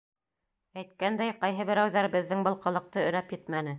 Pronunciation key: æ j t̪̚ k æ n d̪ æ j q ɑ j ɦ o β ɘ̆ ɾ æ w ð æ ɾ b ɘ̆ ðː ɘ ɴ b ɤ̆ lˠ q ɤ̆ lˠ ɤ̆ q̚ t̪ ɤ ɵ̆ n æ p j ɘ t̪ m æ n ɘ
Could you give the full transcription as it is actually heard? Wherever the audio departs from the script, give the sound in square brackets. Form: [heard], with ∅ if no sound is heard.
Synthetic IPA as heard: æ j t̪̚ k æ n d̪ æ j q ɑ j ɦ [ɤ] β ɘ̆ ɾ æ w ð æ ɾ b ɘ̆ ðː ɘ [ŋ] b ɤ̆ lˠ q ɤ̆ lˠ ɤ̆ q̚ t̪ ɤ ɵ̆ n æ p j ɘ t̪ m æ n ɘ

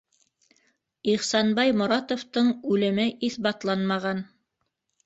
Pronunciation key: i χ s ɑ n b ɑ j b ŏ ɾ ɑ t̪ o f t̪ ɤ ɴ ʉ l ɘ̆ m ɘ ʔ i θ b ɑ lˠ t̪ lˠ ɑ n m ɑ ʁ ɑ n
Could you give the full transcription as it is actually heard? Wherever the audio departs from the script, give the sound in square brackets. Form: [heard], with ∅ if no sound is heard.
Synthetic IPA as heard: i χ s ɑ n b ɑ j [m] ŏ ɾ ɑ t̪ o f t̪ ɤ ɴ ʉ l ɘ̆ m ɘ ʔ i θ b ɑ [∅] t̪ lˠ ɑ n m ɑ ʁ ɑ n

